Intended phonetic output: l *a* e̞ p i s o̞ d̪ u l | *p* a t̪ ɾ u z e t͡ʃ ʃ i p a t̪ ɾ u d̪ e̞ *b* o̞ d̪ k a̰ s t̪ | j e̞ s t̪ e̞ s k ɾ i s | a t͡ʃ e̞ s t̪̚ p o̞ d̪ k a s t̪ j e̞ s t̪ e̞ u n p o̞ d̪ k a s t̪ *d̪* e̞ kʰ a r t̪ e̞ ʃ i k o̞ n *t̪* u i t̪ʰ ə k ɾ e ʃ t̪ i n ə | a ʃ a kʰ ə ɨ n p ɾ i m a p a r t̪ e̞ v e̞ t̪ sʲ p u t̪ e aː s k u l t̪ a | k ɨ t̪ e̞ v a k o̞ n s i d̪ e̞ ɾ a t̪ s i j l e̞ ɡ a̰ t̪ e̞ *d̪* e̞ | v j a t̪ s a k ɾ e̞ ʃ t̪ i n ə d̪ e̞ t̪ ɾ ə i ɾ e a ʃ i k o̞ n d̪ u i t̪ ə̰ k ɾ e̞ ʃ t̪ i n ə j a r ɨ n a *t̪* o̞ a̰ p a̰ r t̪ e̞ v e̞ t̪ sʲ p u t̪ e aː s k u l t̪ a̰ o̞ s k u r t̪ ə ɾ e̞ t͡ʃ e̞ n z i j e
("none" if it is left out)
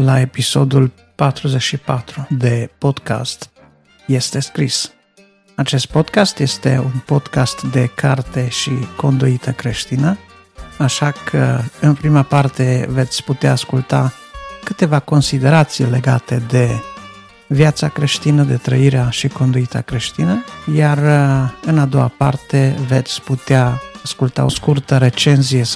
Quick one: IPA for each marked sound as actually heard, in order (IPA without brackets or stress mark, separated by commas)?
a, p, p, d̪, d̪, d̪, d̪